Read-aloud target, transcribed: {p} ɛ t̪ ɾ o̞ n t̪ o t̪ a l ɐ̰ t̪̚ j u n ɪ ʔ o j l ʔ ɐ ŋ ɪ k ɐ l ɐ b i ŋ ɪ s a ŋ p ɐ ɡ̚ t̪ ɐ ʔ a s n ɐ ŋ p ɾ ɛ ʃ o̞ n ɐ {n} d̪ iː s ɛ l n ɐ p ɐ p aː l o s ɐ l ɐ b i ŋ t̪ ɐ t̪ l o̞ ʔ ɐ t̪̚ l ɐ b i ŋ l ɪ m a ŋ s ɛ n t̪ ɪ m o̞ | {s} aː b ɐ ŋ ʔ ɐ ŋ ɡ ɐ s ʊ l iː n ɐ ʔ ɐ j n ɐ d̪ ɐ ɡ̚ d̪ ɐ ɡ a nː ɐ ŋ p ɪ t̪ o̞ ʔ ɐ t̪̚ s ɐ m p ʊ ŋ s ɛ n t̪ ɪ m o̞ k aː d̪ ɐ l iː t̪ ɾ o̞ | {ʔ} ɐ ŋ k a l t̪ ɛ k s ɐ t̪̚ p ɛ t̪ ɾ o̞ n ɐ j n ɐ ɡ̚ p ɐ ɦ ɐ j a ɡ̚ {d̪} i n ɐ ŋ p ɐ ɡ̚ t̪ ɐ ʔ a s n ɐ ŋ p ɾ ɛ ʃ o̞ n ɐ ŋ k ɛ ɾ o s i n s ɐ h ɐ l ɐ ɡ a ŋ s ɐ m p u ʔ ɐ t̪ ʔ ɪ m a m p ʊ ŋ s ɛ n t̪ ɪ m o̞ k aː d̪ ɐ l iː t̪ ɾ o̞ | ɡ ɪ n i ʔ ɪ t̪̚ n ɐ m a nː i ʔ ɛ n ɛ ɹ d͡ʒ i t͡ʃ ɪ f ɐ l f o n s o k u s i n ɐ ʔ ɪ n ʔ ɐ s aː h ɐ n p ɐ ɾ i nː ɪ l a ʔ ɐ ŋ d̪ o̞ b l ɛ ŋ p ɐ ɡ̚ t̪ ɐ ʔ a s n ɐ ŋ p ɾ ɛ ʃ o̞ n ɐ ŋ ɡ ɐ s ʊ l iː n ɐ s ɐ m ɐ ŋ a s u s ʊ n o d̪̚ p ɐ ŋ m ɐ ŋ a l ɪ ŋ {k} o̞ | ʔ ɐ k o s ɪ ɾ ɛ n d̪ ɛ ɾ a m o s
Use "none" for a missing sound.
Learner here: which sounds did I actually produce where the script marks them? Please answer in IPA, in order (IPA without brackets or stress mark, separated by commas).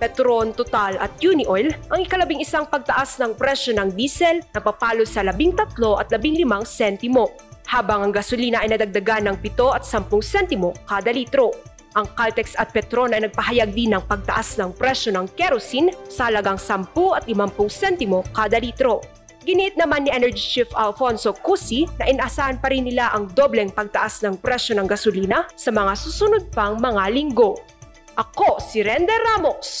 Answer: p, ŋ, h, ʔ, d̪, ɡ